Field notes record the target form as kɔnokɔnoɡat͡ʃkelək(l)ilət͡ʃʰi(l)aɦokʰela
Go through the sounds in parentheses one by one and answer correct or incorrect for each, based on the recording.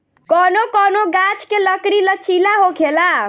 incorrect: ɽ, correct

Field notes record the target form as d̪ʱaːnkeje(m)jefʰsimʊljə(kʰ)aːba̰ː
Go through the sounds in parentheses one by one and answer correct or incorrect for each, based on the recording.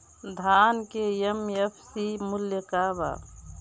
correct, incorrect: k

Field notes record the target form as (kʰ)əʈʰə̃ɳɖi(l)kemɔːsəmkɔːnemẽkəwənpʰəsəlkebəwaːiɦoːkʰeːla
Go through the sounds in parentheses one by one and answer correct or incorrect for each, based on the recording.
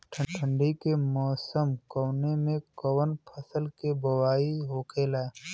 incorrect: ʈʰ, incorrect: none

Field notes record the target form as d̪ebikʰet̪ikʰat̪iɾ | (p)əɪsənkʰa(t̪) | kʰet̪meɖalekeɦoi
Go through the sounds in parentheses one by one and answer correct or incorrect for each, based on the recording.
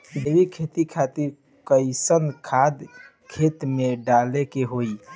incorrect: k, incorrect: d̪

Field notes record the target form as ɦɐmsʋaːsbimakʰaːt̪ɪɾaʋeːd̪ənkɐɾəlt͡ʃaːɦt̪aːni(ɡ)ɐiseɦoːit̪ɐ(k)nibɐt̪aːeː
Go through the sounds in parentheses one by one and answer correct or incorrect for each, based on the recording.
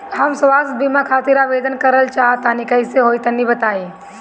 incorrect: k, incorrect: none

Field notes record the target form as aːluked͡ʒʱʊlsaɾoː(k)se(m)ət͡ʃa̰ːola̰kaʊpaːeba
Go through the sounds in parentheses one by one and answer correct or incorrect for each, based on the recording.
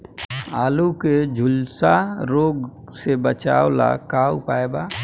incorrect: ɡ, incorrect: b

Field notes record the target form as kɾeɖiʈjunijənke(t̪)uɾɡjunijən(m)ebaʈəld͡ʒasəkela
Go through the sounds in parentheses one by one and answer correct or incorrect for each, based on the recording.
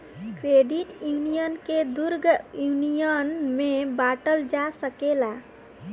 incorrect: d̪, correct

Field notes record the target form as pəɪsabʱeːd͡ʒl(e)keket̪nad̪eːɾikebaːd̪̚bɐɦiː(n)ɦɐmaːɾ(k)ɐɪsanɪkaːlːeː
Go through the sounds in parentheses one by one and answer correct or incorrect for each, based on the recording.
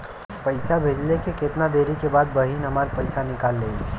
correct, correct, incorrect: p

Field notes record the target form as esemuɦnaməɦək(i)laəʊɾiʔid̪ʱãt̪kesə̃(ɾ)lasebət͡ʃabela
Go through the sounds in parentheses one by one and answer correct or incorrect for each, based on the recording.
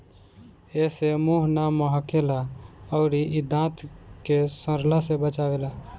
incorrect: e, correct

